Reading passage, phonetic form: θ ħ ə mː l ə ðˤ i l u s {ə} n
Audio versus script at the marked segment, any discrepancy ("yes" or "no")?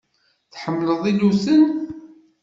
no